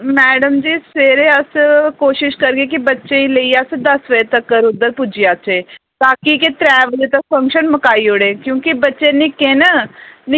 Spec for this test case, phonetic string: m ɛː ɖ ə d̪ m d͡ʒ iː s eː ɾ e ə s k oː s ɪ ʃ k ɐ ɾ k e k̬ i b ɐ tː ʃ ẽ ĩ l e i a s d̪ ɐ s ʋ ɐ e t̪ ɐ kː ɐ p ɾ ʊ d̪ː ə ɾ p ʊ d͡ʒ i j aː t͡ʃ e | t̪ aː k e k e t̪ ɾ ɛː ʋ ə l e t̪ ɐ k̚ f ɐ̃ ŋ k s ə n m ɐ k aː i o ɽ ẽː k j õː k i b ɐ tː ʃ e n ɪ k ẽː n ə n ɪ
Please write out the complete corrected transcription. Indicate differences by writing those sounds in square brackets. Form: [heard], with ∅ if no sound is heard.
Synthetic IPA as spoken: m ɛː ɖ ə [∅] m d͡ʒ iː s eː ɾ e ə s k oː [ʃ] ɪ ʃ k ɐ ɾ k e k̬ i b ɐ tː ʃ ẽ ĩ l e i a s d̪ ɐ s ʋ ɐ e t̪ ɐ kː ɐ [∅] ɾ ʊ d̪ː ə ɾ p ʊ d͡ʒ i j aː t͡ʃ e | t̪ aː k [i] k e t̪ ɾ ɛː ʋ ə l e t̪ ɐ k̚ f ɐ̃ ŋ k [ʃ] ə n m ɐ k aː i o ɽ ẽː k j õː k i b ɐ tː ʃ e n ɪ k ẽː n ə n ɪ